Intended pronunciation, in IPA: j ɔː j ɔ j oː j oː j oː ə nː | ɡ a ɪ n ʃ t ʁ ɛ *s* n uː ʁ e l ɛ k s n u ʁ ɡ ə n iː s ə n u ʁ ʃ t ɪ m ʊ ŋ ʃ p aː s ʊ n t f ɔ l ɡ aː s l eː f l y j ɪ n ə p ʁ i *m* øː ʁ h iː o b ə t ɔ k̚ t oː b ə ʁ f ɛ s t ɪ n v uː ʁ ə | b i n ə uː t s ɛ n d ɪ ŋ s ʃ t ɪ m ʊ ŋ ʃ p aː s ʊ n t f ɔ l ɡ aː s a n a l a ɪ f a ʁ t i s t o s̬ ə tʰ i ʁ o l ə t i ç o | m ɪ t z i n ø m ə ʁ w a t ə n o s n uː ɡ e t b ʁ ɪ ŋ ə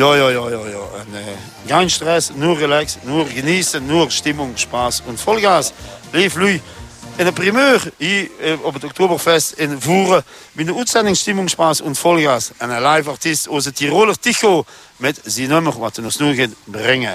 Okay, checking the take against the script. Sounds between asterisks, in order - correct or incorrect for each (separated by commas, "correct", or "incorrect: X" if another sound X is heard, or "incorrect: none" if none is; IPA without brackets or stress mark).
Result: correct, correct